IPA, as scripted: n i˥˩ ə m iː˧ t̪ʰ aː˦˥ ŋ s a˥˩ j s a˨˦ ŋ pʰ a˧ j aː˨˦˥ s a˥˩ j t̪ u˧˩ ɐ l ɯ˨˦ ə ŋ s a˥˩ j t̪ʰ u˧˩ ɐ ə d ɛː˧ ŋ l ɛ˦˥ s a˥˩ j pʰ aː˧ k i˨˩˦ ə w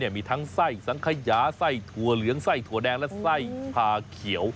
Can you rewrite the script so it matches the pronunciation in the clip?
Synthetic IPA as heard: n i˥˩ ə m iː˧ t̪ʰ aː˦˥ ŋ s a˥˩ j s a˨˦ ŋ kʰ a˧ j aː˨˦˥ s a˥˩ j t̪ʰ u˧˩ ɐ l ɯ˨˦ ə ŋ s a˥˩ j t̪ʰ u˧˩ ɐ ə d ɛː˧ ŋ l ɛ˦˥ s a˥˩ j pʰ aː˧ kʰ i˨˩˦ ə w